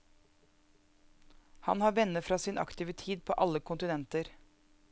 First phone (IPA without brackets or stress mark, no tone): h